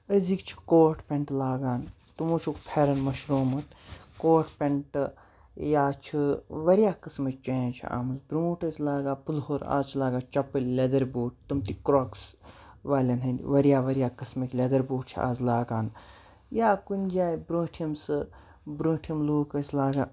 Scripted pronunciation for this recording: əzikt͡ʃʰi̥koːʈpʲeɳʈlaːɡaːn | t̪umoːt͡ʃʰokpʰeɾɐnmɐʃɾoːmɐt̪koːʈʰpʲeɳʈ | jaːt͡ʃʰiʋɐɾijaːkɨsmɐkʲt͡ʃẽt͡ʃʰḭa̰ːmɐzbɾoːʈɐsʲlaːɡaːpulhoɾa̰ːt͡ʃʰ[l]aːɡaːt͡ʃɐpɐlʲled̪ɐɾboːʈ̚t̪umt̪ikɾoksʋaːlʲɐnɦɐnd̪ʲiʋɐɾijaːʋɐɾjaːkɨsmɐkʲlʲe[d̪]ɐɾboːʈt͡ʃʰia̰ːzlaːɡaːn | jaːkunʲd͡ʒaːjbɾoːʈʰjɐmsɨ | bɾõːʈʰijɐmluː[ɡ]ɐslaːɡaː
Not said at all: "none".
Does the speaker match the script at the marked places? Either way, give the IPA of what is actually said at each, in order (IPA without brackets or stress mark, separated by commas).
l, d̪, k